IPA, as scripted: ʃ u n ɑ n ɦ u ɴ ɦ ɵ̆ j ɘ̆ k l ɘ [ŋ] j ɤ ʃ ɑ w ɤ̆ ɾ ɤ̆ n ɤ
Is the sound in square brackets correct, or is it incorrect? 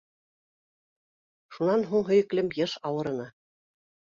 incorrect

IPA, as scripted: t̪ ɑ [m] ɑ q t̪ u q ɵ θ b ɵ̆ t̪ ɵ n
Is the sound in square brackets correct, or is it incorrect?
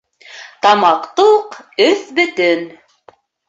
correct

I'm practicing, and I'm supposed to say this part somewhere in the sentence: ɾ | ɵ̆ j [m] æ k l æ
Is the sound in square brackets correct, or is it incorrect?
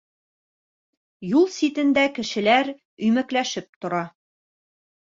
correct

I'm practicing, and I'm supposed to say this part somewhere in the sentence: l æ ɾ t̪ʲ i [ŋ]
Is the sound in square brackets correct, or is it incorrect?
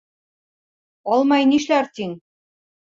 correct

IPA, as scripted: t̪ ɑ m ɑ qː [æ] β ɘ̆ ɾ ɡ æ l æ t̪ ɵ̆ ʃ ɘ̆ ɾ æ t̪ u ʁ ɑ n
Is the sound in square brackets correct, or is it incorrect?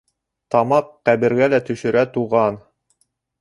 correct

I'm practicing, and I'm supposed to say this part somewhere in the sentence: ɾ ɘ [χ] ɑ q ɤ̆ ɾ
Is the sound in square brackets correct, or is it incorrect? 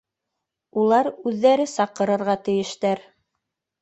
incorrect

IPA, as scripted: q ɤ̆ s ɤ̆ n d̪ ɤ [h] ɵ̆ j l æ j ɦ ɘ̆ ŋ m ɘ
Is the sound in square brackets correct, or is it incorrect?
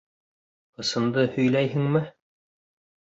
correct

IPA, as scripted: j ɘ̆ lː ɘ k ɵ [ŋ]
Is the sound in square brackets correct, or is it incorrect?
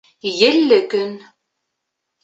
incorrect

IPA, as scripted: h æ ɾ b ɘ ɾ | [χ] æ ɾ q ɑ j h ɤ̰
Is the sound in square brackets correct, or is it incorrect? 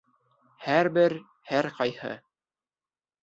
incorrect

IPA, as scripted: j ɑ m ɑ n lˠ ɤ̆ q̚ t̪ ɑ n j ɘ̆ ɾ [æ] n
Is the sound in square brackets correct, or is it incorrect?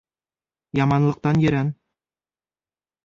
correct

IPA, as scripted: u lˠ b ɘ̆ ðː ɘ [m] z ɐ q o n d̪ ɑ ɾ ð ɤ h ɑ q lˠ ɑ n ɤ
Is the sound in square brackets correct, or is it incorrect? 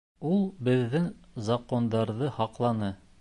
incorrect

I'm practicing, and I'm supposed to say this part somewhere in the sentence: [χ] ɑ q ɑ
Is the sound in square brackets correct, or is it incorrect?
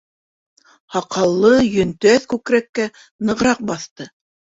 incorrect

